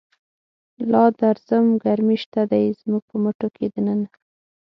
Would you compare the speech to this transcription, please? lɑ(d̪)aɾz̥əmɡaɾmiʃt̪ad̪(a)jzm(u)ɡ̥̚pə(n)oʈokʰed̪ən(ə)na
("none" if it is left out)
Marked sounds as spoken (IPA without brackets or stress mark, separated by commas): d̪, a, u, m, ə